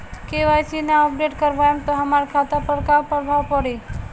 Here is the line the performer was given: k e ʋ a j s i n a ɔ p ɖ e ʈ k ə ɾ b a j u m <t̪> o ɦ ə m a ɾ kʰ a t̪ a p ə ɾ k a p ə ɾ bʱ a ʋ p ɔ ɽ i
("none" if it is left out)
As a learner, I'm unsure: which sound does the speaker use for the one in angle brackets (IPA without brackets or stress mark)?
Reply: t̪